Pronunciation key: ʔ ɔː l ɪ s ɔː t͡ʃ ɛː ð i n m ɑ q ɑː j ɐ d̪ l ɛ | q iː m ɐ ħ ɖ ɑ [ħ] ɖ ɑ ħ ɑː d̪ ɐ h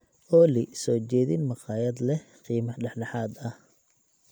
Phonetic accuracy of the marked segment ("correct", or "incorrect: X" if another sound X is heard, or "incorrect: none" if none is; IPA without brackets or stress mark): correct